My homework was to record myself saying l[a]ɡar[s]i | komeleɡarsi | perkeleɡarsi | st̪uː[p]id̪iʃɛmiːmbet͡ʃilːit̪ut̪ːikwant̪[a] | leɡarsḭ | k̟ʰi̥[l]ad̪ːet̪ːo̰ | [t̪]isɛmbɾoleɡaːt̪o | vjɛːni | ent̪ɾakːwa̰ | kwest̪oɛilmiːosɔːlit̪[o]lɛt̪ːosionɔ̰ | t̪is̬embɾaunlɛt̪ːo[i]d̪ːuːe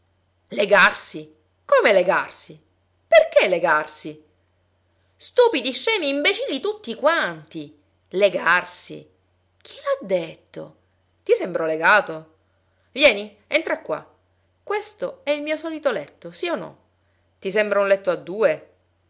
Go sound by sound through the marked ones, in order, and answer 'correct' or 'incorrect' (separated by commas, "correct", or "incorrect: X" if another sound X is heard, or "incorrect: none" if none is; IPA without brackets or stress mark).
incorrect: e, correct, correct, incorrect: i, correct, correct, correct, incorrect: a